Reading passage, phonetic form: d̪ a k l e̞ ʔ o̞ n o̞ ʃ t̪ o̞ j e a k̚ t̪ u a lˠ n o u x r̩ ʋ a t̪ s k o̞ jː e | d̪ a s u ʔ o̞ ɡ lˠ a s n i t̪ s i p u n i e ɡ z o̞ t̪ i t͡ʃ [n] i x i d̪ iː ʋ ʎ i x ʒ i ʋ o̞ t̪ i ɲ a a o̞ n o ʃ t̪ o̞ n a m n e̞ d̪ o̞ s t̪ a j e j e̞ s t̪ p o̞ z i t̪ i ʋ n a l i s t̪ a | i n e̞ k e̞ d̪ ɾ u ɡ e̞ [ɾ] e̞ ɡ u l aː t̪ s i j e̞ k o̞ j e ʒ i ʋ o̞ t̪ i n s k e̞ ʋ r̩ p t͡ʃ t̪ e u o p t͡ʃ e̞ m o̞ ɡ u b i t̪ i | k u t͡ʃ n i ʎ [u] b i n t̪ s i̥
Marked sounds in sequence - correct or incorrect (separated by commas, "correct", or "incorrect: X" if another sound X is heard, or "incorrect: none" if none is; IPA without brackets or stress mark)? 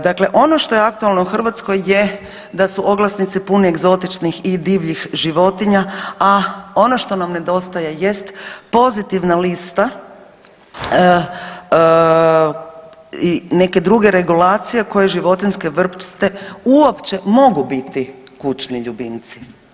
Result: correct, correct, correct